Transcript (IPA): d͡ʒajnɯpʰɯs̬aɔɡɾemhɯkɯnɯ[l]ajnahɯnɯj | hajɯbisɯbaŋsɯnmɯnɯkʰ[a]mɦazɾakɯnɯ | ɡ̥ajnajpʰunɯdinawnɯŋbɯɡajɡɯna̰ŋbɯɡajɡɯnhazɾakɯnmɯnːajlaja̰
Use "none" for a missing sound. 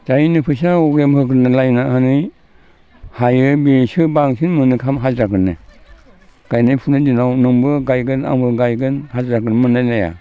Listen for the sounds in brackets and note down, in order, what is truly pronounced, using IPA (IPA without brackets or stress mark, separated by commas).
l, a